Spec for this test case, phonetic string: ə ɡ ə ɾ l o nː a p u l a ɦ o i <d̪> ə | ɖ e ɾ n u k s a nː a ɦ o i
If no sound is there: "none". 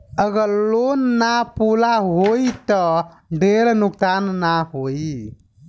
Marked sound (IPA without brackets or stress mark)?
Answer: t̪